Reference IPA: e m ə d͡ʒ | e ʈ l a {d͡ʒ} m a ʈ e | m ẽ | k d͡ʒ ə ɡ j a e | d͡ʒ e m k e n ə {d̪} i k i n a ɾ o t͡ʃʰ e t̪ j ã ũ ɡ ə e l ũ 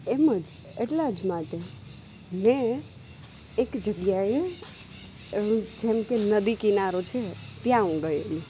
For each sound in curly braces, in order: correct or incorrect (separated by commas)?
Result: correct, correct